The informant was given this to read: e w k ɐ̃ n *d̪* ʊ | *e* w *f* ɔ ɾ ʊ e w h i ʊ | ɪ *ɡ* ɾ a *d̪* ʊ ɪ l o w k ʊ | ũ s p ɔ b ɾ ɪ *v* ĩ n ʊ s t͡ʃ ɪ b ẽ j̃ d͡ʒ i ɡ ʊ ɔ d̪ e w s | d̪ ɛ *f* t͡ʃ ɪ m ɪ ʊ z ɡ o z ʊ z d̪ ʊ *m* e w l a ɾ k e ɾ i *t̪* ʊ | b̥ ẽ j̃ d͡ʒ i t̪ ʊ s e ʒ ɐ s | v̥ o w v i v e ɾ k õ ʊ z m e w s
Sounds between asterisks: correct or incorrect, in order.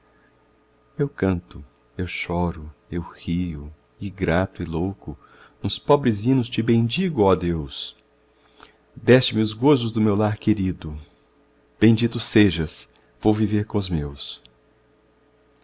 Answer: incorrect, correct, incorrect, correct, incorrect, incorrect, incorrect, correct, incorrect

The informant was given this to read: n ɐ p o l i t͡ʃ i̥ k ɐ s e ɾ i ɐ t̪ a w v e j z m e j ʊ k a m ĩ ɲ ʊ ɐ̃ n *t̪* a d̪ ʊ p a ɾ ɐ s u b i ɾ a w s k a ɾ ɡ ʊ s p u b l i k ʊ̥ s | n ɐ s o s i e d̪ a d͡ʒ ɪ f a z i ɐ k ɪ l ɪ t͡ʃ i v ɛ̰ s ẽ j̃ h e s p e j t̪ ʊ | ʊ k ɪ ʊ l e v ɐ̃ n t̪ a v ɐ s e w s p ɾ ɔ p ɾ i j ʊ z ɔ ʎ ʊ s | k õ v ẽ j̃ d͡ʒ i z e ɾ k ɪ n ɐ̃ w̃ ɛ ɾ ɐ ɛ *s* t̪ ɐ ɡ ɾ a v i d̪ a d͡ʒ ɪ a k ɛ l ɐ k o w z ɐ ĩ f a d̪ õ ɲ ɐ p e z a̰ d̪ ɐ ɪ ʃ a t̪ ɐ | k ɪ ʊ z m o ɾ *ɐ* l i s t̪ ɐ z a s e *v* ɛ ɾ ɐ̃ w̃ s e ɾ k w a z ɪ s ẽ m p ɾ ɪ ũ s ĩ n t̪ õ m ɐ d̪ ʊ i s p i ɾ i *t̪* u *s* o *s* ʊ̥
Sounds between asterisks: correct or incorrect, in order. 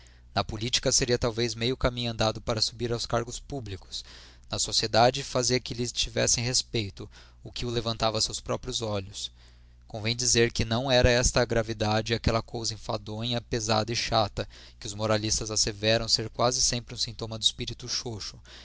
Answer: incorrect, correct, incorrect, correct, correct, incorrect, incorrect

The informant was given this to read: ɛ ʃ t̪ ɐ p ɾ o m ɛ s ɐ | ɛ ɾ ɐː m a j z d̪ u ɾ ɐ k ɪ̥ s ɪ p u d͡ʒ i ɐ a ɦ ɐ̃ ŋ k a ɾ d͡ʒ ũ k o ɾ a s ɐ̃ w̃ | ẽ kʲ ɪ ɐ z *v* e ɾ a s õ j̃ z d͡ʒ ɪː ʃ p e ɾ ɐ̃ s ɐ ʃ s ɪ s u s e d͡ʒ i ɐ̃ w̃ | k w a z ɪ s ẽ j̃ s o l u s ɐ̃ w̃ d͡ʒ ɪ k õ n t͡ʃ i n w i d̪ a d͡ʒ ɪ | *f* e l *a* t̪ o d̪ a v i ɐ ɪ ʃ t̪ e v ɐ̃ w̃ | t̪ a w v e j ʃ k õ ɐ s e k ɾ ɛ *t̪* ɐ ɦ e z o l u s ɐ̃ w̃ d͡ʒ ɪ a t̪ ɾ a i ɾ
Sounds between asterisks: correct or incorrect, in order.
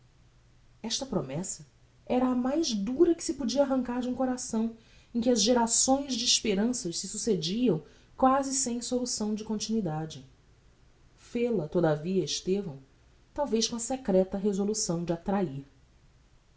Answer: incorrect, correct, incorrect, correct

